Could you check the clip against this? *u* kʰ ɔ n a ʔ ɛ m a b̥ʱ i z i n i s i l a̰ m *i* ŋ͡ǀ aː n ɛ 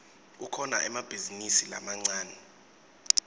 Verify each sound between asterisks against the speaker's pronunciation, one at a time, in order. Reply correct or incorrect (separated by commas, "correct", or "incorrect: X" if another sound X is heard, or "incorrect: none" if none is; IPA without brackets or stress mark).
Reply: correct, incorrect: a